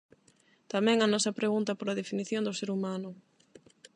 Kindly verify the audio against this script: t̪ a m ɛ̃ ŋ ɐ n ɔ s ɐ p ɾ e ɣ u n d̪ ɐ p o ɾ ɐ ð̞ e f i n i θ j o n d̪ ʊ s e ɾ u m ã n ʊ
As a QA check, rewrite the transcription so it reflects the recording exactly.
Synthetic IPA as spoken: t̪ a m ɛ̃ ŋ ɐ n ɔ s ɐ p ɾ e ɣ u n t̪ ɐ p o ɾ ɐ ð̞ e f i n i θ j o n d̪ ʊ s e ɾ u m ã n ʊ